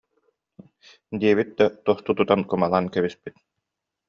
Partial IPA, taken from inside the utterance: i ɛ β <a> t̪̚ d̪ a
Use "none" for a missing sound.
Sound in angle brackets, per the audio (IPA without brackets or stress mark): i